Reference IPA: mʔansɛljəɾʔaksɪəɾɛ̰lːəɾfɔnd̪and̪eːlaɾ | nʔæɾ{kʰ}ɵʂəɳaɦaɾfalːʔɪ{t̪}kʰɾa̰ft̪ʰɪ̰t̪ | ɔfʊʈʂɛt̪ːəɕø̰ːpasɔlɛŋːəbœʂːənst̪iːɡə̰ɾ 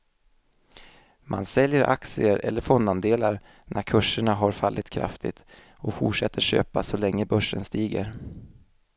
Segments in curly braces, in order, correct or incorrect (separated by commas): correct, correct